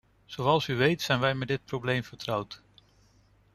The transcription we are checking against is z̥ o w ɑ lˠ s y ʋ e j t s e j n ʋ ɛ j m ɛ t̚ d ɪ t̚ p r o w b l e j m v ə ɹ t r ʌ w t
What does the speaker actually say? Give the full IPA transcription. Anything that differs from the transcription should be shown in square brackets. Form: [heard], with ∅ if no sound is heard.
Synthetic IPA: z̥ o w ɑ lˠ s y ʋ e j t s [ɛ] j n ʋ ɛ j m ɛ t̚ d ɪ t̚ p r o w b l e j m v ə ɹ t r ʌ w t